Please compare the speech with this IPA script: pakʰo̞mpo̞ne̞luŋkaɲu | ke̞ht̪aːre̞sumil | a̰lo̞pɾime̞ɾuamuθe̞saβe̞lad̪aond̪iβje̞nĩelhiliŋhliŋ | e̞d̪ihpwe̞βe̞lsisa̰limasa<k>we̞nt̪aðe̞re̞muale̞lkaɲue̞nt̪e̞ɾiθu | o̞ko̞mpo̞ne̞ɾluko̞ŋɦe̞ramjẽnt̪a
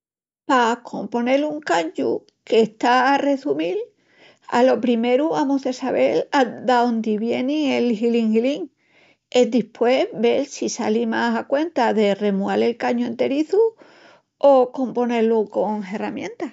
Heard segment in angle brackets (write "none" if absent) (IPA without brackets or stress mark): k